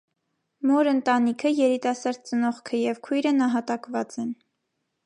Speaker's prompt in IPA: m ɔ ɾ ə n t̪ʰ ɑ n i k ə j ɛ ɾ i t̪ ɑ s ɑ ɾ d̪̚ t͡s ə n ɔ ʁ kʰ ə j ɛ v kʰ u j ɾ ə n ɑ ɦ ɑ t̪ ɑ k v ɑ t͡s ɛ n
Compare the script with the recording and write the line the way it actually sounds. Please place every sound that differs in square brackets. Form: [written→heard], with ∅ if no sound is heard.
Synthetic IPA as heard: m ɔ ɾ ə n [t̪ʰ→t̪] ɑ n i [k→kʰ] ə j ɛ ɾ i t̪ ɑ s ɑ ɾ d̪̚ t͡s ə n ɔ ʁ kʰ ə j ɛ v kʰ u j ɾ ə n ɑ ɦ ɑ t̪ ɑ k v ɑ t͡s ɛ n

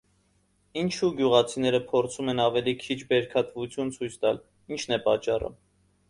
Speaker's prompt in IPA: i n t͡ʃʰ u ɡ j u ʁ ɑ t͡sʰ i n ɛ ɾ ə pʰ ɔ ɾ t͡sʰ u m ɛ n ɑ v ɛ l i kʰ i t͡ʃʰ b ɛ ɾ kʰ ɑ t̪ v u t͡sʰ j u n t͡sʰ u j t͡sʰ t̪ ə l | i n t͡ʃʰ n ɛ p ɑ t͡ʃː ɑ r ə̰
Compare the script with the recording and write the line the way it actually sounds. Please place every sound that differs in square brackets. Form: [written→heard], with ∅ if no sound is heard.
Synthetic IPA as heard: i n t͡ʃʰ u ɡ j u ʁ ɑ t͡sʰ i n ɛ ɾ ə pʰ ɔ ɾ t͡sʰ u m ɛ n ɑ v ɛ l i kʰ i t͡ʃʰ b ɛ ɾ kʰ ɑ t̪ v u t͡sʰ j u n t͡sʰ u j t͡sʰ t̪ [ə→ɑ] l | i n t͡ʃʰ n ɛ p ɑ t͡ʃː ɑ r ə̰

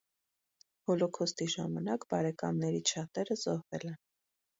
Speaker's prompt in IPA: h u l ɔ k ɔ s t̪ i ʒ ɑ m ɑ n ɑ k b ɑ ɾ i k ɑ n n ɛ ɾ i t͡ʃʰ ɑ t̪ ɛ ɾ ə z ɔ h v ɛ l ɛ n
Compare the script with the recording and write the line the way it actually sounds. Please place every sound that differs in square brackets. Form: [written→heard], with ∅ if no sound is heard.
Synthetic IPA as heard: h [u→ɔ] l ɔ [k→kʰ] ɔ s t̪ i ʒ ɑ m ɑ n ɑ k b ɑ ɾ [i→ɛ] k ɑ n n ɛ ɾ i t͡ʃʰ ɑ t̪ ɛ ɾ ə z ɔ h v ɛ l ɛ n

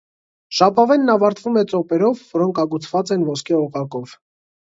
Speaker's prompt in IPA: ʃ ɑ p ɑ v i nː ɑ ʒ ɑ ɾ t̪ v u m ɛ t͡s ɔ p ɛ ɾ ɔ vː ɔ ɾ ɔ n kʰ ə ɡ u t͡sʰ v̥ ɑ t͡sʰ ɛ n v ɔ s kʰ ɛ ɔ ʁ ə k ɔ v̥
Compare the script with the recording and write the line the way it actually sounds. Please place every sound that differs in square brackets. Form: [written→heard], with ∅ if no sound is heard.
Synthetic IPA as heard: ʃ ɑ p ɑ v [i→ɛ] nː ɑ [ʒ→v] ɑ ɾ t̪ v u m ɛ t͡s ɔ p ɛ ɾ ɔ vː ɔ ɾ ɔ [n→ŋ] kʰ [ə→ɑ] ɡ u t͡sʰ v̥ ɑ [t͡sʰ→t͡s] ɛ n v ɔ s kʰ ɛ ɔ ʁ [ə→ɑ] k ɔ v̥

